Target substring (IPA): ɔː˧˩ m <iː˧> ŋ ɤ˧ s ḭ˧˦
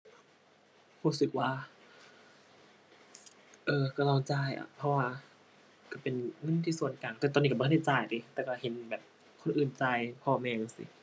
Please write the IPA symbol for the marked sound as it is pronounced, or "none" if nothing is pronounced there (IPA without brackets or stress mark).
ɛː˧